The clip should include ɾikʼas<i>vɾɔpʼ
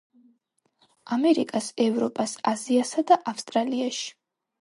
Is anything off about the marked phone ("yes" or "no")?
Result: yes